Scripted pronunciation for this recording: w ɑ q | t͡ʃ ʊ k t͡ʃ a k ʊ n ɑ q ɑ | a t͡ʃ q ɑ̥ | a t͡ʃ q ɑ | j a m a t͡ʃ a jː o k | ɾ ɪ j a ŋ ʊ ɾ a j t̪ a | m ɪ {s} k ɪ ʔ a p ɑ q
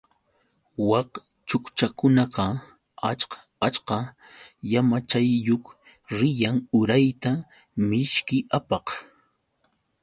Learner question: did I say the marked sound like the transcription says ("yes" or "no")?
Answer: no